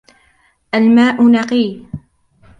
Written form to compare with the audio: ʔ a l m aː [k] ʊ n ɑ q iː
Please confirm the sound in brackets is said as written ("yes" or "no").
no